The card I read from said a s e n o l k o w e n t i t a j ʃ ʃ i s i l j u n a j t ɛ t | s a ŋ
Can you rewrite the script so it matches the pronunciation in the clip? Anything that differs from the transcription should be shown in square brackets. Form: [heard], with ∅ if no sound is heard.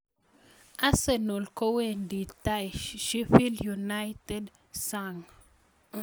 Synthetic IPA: a s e n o l k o w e n [d] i t a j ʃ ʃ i [f] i l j u n a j t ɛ [d] | s a ŋ